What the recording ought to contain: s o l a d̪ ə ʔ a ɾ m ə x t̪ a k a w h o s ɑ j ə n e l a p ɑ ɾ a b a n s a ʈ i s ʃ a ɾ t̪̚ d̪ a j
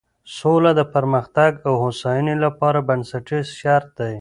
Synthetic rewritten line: s o l a d̪ ə p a ɾ m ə x t̪ a ɡ a w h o s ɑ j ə n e l a p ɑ ɾ a b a n s a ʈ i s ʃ a ɾ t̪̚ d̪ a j